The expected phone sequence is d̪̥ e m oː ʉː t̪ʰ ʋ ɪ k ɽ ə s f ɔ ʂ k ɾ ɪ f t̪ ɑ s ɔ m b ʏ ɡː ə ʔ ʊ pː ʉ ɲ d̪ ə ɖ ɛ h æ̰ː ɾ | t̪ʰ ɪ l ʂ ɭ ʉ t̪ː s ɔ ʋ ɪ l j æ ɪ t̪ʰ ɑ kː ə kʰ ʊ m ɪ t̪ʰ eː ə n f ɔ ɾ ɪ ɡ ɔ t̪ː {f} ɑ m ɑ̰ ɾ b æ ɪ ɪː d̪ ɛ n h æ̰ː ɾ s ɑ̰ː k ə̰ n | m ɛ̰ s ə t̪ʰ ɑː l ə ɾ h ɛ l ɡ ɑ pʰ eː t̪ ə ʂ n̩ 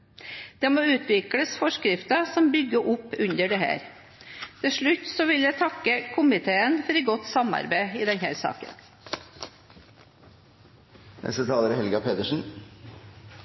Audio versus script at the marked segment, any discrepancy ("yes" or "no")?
yes